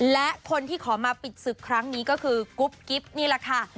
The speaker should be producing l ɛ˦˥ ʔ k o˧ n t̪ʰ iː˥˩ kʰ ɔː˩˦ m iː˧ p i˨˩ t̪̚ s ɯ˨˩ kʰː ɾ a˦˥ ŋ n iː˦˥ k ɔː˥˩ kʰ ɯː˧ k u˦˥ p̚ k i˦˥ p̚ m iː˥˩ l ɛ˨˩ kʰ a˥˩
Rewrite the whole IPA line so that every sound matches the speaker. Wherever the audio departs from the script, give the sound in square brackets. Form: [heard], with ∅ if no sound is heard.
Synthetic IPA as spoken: l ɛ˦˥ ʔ [kʰ] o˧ n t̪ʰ iː˥˩ kʰ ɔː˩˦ m [aː˧] p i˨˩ t̪̚ s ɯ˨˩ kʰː ɾ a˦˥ ŋ n iː˦˥ k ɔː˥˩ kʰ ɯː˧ k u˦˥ p̚ k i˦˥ p̚ [n] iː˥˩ l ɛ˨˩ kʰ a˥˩